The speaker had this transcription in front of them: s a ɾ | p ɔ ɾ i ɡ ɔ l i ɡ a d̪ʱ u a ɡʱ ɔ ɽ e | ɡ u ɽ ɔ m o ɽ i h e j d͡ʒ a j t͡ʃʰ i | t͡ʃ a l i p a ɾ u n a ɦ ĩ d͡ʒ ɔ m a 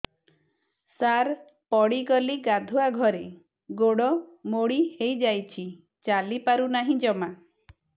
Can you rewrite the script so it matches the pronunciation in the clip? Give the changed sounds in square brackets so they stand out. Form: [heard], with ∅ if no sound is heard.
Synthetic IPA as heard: s a ɾ | p ɔ [ɽ] i ɡ ɔ l i ɡ a d̪ʱ u a ɡʱ ɔ [ɾ] e | ɡ [o] ɽ ɔ m o ɽ i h e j d͡ʒ a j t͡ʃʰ i | t͡ʃ a l i p a ɾ u n a ɦ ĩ d͡ʒ ɔ m a